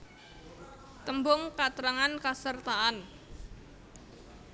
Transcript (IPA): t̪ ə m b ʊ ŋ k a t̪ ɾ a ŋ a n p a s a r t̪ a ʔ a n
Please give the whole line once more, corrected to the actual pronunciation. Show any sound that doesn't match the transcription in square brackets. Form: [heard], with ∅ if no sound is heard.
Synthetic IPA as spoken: t̪ ə m b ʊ ŋ k a t̪ ɾ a ŋ a n [k] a s [ə] r t̪ a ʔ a n